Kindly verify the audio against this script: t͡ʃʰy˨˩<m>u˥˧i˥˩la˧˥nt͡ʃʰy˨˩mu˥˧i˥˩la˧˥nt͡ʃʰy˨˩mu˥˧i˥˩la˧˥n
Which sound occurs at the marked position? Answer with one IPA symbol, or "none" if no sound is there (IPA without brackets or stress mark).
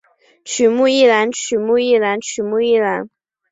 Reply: m